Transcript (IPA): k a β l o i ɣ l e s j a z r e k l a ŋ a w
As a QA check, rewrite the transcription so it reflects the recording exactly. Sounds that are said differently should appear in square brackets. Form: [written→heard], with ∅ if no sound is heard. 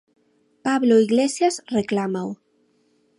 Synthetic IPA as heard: [k→p] a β l o i ɣ l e s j a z r e k l a [ŋ→m] a w